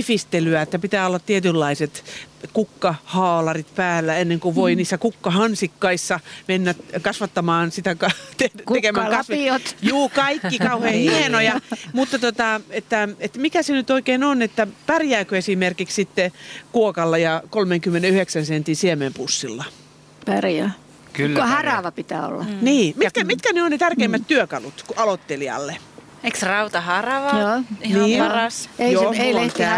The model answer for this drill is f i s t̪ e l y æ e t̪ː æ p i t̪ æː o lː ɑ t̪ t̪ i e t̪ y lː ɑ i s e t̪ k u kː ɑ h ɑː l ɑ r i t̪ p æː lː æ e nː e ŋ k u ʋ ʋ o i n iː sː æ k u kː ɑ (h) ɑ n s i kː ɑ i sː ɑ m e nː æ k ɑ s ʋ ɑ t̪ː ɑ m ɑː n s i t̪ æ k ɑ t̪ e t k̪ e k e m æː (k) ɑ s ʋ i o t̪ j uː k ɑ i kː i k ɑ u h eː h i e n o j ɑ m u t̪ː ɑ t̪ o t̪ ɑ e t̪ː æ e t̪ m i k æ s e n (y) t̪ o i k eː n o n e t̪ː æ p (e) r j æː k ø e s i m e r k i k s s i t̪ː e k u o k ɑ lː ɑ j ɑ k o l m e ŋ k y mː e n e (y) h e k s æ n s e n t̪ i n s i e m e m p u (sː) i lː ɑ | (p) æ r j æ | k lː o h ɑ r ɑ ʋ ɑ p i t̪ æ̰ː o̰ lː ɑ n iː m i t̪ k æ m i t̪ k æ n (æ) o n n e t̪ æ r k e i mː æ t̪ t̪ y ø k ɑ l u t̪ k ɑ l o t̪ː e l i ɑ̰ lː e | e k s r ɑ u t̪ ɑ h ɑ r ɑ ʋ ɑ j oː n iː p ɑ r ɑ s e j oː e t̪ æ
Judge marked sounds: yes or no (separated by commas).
yes, yes, yes, no, yes, yes, yes, no